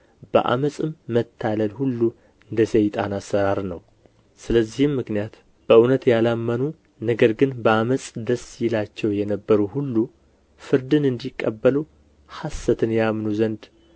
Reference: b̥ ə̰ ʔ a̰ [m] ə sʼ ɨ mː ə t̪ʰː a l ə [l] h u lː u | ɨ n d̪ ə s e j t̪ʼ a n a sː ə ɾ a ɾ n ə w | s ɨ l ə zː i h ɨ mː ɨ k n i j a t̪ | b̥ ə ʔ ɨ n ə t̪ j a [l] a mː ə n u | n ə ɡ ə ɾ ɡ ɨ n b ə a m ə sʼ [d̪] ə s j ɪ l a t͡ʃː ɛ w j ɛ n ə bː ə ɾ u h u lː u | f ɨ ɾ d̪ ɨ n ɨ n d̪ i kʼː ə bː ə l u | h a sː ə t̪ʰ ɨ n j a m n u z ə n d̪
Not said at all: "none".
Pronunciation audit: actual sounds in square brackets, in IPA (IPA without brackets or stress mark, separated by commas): m, l, l, d̪